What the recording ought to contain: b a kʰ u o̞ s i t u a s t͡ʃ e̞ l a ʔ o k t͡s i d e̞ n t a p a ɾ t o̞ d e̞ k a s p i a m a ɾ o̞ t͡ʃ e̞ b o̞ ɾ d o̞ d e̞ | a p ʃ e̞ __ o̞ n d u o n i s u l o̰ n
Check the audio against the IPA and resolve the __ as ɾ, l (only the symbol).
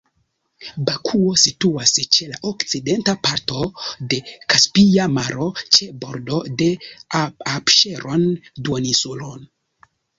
ɾ